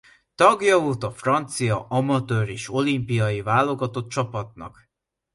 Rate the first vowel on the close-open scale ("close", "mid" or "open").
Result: open